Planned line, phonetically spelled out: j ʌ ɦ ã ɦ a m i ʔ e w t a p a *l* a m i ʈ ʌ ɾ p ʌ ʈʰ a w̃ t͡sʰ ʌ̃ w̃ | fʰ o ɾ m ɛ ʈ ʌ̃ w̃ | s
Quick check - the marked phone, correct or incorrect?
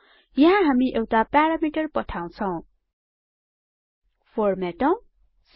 incorrect